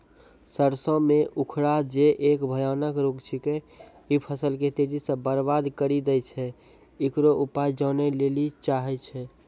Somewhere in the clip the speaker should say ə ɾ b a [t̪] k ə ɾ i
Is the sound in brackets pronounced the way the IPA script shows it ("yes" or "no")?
no